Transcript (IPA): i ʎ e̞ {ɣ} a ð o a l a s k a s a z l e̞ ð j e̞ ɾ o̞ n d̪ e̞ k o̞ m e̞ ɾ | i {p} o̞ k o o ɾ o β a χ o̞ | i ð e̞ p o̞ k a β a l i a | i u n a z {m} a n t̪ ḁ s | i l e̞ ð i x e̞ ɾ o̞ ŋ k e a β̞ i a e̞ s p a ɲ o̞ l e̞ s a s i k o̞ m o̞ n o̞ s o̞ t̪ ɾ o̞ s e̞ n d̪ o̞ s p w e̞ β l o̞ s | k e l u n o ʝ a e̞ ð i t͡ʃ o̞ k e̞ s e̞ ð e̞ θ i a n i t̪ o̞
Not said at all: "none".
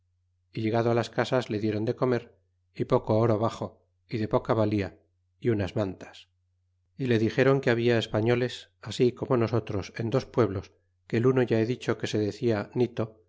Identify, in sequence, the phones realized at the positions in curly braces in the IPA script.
ɣ, p, m

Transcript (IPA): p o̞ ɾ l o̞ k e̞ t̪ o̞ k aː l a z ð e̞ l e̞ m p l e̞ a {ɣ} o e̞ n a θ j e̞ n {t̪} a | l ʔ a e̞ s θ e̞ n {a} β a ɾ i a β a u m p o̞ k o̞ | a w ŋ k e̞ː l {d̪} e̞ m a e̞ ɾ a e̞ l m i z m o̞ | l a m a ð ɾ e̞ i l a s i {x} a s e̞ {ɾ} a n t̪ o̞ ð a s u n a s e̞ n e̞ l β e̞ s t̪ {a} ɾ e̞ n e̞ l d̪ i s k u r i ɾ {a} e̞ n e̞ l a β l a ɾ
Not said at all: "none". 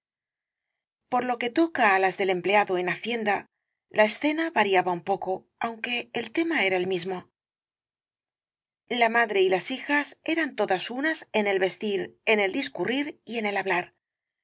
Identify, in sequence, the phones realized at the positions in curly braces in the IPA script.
ð, d̪, a, t̪, x, ɾ, i, i

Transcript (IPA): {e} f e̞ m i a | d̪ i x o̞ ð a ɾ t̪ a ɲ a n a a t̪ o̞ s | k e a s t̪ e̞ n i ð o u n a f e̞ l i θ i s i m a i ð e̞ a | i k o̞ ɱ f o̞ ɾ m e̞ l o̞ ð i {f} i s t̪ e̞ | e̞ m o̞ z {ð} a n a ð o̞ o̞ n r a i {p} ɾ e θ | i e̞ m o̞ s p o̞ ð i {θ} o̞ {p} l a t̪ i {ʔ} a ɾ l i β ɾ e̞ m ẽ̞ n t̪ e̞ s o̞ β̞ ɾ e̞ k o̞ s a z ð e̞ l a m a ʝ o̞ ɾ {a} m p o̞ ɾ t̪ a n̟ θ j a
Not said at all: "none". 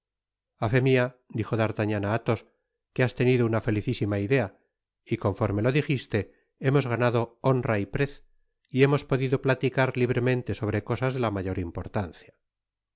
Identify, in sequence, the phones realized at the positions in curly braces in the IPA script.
a, x, ɣ, p, ð, p, k, i

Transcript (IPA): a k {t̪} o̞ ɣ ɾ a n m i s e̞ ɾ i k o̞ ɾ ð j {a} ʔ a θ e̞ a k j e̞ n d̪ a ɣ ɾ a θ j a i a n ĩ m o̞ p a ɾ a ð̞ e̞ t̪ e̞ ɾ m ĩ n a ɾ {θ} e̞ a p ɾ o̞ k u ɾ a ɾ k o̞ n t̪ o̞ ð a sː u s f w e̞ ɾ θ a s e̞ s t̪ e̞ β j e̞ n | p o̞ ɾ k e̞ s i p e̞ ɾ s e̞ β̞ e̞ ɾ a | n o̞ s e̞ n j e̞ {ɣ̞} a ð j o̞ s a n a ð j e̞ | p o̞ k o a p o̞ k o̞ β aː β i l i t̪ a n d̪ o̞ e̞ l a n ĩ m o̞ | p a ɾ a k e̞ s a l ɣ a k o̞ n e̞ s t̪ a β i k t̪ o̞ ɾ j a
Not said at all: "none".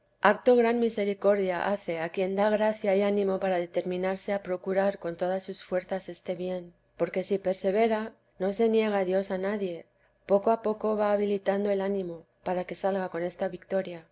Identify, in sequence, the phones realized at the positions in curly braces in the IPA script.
t̪, a, s, ɣ̞

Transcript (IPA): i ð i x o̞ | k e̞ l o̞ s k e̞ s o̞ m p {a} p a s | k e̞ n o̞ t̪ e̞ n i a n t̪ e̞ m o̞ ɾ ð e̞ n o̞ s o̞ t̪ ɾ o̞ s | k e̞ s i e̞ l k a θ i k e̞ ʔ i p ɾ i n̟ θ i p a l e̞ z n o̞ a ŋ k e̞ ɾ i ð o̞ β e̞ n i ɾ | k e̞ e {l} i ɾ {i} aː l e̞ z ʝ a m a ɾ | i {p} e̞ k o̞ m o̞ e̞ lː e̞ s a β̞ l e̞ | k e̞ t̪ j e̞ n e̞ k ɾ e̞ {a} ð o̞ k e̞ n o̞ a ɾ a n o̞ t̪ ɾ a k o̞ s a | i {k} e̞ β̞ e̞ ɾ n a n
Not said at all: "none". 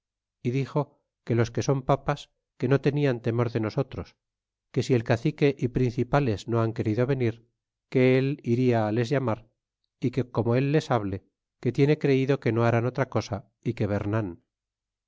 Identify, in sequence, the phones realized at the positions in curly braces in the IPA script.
a, l, i, k, i, k

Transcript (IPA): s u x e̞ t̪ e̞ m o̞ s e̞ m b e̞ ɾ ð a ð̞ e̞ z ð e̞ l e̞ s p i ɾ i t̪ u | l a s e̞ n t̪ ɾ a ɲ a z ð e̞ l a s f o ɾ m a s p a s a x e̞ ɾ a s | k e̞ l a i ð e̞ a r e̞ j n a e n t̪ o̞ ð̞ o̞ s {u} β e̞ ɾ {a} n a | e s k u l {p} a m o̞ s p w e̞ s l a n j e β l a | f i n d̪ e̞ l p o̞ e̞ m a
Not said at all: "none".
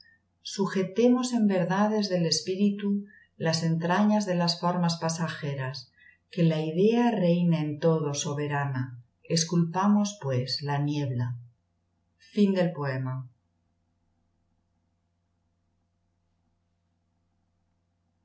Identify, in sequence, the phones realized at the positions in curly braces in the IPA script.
o, a, p

